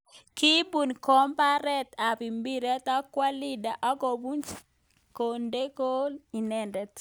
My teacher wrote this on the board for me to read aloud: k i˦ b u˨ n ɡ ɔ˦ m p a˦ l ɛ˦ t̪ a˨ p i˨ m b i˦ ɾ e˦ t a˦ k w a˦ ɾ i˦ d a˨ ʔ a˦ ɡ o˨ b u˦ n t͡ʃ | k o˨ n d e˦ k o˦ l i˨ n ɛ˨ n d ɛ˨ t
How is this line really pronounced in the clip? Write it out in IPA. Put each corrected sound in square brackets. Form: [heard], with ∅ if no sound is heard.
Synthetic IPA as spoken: k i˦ b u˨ n [k] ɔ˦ m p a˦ [ɾ] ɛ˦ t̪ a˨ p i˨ m b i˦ ɾ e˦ t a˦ k w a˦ [l] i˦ d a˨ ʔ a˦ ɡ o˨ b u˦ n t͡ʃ | k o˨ n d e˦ k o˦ l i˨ n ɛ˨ n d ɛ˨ t

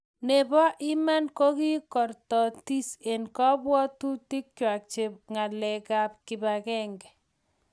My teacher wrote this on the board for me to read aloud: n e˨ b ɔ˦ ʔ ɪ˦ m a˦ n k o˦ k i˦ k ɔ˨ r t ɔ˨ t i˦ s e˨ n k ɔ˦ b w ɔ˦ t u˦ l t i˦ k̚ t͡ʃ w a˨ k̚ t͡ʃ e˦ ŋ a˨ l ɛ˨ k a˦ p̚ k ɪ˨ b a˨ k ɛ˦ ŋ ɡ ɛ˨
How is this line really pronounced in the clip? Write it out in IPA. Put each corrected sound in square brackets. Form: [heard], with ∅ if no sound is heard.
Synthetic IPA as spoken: n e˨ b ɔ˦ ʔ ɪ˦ m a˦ n k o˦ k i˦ k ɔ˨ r t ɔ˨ t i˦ s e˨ n k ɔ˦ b w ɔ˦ t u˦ [∅] t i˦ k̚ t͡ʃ w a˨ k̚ t͡ʃ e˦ ŋ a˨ l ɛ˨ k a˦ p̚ k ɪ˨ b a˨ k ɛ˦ ŋ ɡ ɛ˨

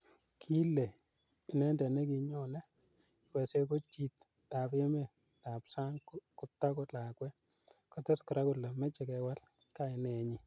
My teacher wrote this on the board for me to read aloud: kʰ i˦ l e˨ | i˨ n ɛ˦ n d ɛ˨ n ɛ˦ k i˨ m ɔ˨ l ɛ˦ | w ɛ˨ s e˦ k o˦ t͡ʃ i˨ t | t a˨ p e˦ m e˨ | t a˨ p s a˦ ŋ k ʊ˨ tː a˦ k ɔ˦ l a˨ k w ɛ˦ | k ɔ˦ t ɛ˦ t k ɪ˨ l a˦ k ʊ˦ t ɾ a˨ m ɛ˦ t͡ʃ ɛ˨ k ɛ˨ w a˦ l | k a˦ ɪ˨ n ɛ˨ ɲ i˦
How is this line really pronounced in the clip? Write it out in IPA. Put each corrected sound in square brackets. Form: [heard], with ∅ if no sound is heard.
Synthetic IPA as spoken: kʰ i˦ l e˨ | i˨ n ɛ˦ n d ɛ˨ n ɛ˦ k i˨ [ɲ] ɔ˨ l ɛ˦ | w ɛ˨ s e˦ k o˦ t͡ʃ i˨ t | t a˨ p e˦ m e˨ | t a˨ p s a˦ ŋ k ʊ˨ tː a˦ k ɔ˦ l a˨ k w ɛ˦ | k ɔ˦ t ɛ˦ [s] k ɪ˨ [ɾ] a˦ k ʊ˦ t [l] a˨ m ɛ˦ t͡ʃ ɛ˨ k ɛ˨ w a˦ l | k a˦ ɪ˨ n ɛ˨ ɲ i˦

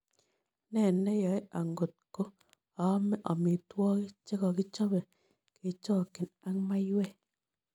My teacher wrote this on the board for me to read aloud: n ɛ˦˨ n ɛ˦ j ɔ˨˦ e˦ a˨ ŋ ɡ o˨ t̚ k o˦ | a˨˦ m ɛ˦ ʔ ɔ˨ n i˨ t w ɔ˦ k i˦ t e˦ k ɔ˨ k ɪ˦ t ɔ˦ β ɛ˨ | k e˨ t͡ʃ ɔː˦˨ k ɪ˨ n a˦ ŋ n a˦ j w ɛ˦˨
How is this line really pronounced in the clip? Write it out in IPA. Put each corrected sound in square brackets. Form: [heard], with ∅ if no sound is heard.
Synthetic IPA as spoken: n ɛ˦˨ n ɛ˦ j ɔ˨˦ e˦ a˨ ŋ ɡ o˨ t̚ k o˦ | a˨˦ m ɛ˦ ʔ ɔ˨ [m] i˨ t w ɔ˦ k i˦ [t͡ʃ] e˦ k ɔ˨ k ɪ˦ [t͡ʃ] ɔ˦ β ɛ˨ | k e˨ t͡ʃ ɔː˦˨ k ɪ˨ n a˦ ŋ [m] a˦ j w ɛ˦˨

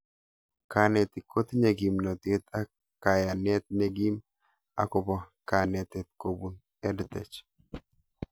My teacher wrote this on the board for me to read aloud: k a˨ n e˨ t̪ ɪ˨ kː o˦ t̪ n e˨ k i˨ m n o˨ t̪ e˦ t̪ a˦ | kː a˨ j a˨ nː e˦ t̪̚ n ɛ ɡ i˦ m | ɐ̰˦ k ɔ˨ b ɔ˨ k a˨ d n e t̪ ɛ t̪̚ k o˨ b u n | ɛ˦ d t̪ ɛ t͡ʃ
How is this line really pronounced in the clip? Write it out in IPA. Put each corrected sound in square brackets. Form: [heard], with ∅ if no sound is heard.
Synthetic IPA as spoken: k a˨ n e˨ t̪ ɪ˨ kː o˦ t̪ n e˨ [ɡ] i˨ m n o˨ t̪ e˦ t̪ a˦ | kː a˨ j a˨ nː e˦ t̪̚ n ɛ ɡ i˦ m | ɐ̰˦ k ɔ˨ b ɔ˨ k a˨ [∅] n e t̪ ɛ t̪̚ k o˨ b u n | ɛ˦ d t̪ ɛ t͡ʃ

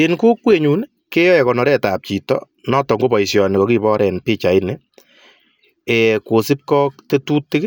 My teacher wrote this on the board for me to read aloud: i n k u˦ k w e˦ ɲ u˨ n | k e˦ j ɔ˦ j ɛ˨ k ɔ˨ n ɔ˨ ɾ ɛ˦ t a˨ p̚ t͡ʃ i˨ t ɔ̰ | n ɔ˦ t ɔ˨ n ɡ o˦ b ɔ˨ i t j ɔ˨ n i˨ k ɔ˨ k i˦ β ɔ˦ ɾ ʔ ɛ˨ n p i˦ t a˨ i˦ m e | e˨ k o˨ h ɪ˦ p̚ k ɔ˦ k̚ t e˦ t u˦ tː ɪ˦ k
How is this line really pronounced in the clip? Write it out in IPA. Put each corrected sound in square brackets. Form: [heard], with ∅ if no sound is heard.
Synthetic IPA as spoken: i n k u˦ k w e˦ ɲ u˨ n | k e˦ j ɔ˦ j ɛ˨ k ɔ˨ n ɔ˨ ɾ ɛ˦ t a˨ p̚ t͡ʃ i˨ t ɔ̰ | n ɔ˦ t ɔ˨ [ŋ] ɡ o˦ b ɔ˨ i [s] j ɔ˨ n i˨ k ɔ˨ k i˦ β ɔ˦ ɾ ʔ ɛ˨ n p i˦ [t͡ʃ] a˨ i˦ [n] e | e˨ k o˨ [s] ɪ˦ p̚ k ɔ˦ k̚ t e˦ t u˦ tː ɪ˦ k

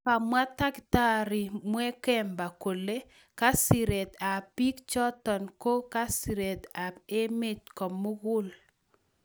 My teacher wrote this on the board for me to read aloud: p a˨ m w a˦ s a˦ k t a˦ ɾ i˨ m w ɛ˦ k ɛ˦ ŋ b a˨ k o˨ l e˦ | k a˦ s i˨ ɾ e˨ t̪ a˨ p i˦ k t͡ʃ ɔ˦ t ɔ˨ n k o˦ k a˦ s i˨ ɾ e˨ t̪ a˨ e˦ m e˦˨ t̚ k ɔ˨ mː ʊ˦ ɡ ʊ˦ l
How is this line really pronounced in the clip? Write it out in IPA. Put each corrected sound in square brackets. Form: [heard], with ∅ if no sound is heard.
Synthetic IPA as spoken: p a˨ m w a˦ [t] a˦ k t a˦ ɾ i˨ m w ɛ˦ k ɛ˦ [m] b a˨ k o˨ l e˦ | k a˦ s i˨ ɾ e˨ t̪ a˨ p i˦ k t͡ʃ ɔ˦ t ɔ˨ n k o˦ k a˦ s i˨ ɾ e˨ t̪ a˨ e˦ m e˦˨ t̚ k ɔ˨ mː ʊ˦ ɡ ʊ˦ l

